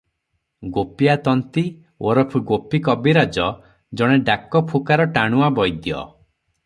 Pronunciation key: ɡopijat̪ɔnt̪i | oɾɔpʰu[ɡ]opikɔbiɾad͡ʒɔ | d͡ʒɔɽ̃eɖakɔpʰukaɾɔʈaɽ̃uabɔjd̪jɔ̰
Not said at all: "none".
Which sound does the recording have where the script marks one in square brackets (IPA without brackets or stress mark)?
ɡ